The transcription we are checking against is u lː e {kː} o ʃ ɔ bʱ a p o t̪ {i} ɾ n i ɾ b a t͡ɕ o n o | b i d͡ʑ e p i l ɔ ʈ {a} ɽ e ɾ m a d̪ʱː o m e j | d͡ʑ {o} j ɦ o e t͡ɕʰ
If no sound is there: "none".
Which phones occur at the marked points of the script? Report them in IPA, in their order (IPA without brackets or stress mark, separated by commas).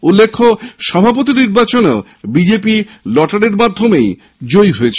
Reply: kʰː, i, a, o